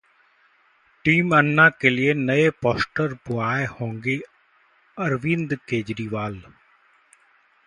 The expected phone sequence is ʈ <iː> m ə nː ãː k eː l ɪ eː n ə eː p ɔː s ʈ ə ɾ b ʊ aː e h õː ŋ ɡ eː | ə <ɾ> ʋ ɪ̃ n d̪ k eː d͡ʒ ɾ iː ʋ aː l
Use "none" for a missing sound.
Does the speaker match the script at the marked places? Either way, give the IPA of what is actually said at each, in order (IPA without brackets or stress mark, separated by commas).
iː, ɾ